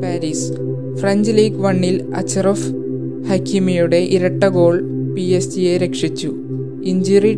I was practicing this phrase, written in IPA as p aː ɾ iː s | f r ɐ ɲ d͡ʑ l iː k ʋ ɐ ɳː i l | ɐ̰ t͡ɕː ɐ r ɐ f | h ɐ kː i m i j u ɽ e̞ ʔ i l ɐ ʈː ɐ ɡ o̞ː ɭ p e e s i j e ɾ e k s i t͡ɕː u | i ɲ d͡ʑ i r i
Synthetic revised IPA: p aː ɾ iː s | f r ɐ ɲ d͡ʑ l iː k ʋ ɐ ɳː i l | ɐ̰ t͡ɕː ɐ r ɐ f | h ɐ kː i m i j u ɽ e̞ ʔ i ɾ ɐ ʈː ɐ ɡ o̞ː ɭ p i e s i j e ɾ e k ʂ i t͡ɕː u | i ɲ d͡ʑ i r i